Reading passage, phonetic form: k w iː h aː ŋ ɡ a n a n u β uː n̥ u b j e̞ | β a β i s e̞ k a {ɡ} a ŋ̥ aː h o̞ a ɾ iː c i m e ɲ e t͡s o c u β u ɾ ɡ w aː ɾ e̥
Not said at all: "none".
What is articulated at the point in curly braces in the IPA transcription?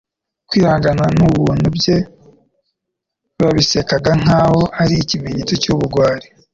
ɡ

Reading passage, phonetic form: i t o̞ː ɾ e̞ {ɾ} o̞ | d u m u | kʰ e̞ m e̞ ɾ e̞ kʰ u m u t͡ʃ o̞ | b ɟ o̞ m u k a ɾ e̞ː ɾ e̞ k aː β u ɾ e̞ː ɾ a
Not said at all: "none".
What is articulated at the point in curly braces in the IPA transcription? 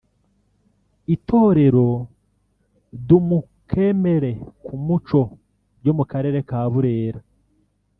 ɾ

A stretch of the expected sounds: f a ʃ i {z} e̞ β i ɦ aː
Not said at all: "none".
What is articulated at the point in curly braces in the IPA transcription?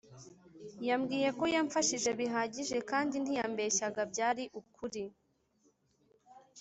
ʒ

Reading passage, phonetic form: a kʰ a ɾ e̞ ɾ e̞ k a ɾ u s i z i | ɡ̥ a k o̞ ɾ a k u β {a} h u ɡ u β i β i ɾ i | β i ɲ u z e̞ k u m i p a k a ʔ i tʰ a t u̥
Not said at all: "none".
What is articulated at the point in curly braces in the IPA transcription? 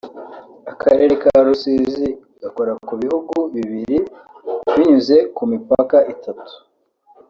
i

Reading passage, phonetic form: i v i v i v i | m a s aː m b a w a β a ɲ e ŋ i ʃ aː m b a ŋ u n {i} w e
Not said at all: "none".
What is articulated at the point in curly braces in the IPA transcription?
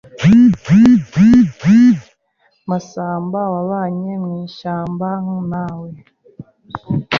a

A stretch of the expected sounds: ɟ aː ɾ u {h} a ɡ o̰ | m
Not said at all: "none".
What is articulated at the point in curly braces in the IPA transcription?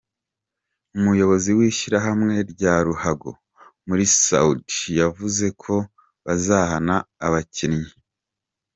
h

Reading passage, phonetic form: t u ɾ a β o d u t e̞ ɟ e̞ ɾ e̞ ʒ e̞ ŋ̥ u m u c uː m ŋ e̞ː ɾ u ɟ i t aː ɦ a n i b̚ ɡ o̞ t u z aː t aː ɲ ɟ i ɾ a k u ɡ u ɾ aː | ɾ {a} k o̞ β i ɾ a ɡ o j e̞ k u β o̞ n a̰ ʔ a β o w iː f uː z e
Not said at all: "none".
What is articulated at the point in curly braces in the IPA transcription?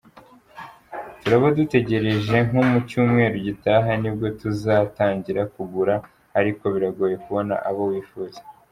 i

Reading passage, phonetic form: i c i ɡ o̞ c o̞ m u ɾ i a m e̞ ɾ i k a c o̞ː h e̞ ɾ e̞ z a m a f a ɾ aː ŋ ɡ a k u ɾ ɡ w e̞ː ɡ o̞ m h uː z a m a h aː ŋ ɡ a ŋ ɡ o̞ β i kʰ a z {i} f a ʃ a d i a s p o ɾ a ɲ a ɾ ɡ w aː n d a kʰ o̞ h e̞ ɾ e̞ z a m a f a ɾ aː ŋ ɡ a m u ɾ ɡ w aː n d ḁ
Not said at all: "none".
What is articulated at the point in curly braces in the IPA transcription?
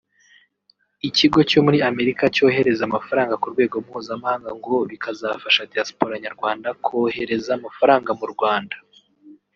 a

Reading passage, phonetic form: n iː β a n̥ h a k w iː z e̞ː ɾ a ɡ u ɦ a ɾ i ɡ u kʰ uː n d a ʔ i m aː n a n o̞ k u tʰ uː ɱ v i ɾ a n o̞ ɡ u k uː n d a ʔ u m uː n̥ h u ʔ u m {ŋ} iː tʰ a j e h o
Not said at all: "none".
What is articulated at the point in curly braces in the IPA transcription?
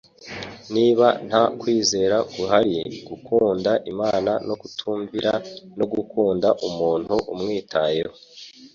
ŋ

